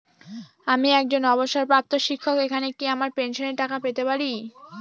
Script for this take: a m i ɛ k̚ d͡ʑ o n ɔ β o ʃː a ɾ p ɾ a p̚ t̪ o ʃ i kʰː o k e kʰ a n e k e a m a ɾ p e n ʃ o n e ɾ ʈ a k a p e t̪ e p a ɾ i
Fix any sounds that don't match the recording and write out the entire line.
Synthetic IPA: a m i ɛ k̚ d͡ʑ o n ɔ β o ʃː a ɾ p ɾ a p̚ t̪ o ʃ i kʰː o k e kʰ a n e k i a m a ɾ p e n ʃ o n e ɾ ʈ a k a p e t̪ e p a ɾ i